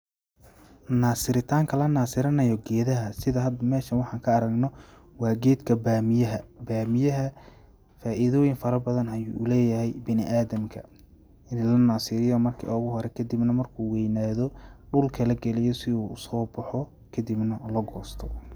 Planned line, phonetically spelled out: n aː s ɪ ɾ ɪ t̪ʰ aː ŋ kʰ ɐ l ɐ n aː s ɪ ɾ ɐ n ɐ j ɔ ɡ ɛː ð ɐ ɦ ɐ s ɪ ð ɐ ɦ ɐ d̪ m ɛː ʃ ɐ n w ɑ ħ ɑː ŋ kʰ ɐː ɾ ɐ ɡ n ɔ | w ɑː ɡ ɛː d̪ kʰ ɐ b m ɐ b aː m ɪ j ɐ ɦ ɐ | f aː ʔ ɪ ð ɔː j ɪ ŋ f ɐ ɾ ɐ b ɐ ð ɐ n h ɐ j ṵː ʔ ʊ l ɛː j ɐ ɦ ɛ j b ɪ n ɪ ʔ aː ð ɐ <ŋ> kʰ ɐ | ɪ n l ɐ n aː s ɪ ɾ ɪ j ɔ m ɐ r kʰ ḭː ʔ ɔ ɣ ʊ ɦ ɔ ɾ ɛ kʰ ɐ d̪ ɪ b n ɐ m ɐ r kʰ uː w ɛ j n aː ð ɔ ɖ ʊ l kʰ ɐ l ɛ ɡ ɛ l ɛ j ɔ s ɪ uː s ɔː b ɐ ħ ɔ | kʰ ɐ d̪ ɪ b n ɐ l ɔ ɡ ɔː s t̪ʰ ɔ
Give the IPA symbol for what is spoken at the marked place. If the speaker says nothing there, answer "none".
m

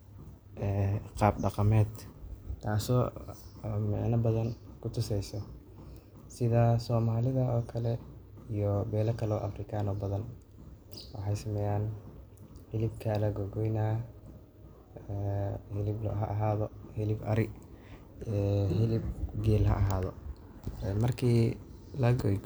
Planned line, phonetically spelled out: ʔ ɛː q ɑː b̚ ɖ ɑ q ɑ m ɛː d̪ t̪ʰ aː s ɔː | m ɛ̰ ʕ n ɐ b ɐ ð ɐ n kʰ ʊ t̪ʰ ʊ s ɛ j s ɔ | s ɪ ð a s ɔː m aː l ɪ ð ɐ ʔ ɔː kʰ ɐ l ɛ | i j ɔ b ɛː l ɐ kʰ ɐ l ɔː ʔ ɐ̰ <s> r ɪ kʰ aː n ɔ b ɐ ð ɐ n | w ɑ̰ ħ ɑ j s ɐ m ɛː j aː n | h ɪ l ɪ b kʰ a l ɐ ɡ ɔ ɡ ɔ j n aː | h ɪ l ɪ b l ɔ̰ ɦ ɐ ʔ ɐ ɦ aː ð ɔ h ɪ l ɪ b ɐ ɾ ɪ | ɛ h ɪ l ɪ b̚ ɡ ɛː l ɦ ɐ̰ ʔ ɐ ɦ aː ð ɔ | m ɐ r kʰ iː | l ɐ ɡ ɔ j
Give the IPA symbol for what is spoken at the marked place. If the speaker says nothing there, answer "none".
f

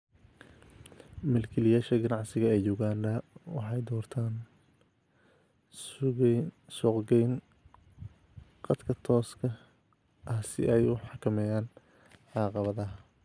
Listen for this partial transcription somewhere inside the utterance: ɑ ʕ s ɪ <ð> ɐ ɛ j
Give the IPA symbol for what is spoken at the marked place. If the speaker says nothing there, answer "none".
ɣ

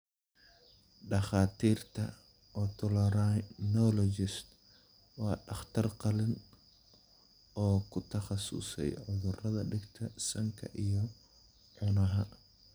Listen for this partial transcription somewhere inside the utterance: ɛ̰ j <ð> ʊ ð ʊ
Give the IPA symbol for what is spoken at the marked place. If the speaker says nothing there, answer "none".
ʕ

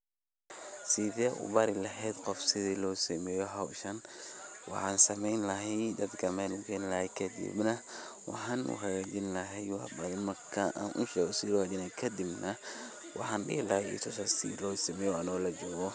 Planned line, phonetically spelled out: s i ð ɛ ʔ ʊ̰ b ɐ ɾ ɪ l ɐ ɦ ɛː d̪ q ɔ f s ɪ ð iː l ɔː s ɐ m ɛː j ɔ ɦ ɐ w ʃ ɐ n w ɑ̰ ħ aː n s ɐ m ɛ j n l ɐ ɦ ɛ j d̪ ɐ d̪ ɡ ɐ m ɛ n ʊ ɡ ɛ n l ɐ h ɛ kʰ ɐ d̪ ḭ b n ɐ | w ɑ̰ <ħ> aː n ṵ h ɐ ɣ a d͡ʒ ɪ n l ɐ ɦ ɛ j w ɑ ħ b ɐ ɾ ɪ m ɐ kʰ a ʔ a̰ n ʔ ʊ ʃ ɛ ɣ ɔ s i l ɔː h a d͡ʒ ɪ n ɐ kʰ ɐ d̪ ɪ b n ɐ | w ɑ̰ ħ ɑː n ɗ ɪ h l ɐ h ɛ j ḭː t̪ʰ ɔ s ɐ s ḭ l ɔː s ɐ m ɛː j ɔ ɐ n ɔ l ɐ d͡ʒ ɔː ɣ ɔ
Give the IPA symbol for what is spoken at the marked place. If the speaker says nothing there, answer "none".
ħ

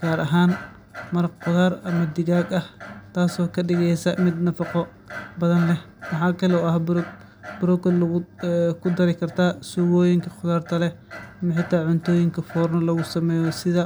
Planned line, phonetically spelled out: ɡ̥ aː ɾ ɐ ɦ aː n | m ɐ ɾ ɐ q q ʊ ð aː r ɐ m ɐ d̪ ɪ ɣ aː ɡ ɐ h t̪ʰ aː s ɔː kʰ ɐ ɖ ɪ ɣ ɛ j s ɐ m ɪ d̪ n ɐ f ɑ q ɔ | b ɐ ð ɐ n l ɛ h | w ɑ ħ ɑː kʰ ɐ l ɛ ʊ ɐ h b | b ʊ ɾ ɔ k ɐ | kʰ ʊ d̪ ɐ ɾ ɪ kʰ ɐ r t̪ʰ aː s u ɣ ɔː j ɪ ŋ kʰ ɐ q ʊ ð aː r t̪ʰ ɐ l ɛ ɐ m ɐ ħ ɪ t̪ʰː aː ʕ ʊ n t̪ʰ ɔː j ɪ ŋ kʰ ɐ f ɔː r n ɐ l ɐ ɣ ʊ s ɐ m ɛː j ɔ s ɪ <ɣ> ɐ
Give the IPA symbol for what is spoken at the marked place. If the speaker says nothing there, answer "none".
ð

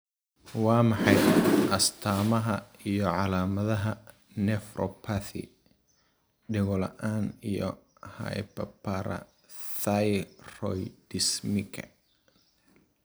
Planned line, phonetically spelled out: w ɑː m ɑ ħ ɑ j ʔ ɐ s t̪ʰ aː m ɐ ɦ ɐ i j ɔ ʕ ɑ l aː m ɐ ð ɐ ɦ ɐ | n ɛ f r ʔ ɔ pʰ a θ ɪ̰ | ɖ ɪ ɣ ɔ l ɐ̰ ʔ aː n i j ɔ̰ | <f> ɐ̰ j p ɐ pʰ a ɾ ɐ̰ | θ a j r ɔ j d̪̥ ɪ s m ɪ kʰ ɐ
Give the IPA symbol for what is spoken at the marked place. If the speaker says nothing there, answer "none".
h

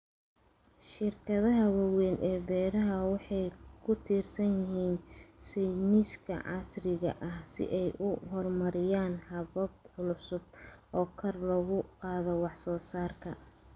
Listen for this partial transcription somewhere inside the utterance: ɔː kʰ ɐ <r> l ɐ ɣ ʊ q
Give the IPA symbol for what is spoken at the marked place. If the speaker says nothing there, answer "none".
r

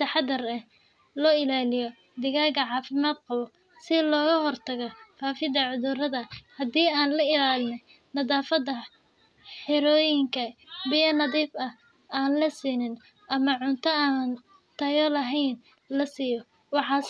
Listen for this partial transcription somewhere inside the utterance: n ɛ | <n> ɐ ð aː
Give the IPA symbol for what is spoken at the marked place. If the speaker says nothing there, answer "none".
n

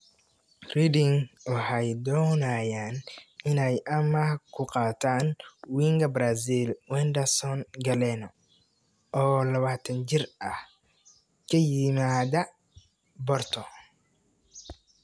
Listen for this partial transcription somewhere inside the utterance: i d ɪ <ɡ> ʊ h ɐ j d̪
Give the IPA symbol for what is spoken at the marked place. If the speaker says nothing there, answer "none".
ŋ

